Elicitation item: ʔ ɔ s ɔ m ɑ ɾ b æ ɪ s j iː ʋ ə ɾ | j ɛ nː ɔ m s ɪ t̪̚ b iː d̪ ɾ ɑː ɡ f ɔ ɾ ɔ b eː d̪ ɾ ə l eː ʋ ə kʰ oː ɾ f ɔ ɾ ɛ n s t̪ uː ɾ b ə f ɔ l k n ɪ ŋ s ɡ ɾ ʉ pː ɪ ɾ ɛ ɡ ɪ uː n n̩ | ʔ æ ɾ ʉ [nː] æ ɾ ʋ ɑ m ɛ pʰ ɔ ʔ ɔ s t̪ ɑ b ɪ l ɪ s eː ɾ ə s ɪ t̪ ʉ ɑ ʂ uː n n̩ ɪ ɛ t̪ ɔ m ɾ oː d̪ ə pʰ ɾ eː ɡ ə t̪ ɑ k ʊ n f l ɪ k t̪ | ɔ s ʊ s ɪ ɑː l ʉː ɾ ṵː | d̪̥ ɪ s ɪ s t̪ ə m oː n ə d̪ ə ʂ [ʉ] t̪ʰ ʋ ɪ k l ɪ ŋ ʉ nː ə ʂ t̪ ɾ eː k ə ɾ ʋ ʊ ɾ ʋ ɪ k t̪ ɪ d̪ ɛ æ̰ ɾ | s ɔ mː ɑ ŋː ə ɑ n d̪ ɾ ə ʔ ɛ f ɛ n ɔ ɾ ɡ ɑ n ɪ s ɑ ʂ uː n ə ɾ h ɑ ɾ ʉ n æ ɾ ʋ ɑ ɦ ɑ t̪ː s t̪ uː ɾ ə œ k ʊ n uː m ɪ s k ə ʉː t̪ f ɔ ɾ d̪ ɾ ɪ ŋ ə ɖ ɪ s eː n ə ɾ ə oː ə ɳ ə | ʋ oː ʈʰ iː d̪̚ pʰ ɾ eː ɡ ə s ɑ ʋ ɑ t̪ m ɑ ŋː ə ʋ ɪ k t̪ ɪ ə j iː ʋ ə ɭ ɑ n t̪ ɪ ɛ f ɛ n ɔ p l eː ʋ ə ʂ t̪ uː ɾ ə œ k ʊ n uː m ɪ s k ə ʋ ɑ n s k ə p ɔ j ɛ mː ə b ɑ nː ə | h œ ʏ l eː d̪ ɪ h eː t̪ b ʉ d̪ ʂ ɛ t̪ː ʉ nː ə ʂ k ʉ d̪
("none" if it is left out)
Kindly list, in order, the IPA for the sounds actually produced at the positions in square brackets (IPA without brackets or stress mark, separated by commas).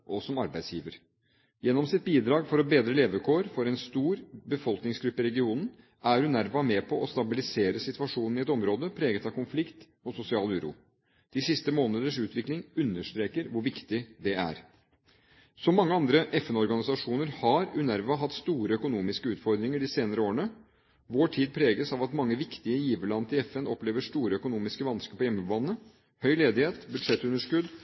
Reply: n, ʉː